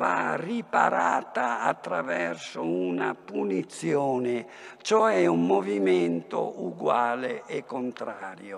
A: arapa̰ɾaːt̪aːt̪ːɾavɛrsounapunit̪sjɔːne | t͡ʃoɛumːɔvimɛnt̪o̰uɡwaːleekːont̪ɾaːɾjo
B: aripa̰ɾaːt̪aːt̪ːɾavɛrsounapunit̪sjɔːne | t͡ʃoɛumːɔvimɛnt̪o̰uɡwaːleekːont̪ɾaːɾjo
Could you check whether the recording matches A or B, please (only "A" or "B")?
B